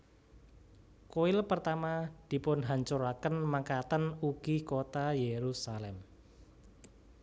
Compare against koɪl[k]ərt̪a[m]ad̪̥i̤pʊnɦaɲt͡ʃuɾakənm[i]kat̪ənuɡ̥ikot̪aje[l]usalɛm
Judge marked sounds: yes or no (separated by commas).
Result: no, yes, no, no